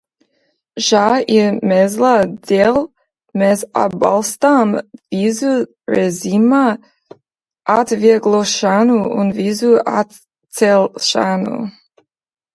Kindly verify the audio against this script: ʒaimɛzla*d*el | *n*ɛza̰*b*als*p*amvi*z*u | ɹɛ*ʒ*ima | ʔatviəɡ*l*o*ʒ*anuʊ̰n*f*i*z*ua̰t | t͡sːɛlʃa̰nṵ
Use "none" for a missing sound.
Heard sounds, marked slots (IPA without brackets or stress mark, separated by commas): d, m, b, t, z, z, l, ʃ, v, z